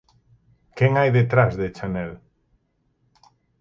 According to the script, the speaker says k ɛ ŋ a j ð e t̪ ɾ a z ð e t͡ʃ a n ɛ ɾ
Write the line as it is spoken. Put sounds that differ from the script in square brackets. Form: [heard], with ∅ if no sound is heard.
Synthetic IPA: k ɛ ŋ a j ð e t̪ ɾ a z ð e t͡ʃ a n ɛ [l]

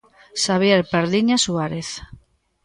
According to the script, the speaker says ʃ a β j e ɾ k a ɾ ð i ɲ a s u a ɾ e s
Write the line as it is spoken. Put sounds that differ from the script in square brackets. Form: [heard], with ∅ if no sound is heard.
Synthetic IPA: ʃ a β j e ɾ [p] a ɾ ð i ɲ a s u a ɾ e [θ]

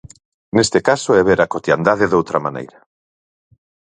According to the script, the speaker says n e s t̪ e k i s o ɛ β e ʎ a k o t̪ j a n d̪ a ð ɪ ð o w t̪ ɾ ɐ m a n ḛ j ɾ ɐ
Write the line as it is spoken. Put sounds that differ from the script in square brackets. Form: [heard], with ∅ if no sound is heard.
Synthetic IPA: n e s t̪ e k [a] s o ɛ β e [ɾ] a k o t̪ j a n d̪ a ð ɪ ð o w t̪ ɾ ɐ m a n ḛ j ɾ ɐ

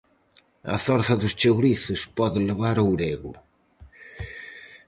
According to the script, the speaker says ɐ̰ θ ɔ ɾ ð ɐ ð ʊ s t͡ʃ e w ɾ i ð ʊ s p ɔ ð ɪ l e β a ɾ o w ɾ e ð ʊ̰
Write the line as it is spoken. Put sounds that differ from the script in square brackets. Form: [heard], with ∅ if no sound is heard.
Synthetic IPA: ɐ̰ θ ɔ ɾ [θ] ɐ ð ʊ s t͡ʃ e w ɾ i [θ] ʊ s p ɔ ð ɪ l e β a ɾ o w ɾ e [ɣ] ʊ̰

